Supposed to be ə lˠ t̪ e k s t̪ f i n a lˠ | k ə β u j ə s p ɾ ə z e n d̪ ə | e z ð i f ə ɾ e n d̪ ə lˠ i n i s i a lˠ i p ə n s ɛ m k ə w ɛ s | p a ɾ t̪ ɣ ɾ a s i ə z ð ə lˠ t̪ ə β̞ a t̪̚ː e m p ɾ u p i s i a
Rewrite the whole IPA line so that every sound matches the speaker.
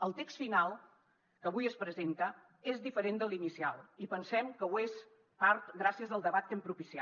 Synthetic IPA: ə lˠ t̪ e k s t̪ f i n a lˠ | k ə β u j ə s p ɾ ə z e n t̪ ə | e z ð i f ə ɾ e n d̪ ə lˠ i n i s i a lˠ i p ə n s ɛ m k ə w e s | p a ɾ t̪ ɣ ɾ a s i ə z ð ə lˠ d̪ ə β̞ a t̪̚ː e m p ɾ u p i s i a